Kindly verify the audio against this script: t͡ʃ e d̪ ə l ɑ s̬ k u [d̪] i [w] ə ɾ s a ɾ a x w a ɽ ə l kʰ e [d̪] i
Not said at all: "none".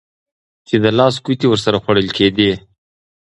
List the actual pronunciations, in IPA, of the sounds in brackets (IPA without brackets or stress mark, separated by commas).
t̪, w, d̪